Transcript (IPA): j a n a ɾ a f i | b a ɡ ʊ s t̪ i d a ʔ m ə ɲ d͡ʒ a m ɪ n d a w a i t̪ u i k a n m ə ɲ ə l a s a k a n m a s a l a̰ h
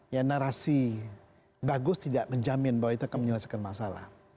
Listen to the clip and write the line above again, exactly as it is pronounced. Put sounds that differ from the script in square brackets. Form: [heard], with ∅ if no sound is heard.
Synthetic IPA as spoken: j a n a ɾ a [s] i | b a ɡ ʊ s t̪ i d a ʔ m ə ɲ d͡ʒ a m ɪ n [b] a w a i t̪ u [a] k a n m ə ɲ ə l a s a k a n m a s a l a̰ h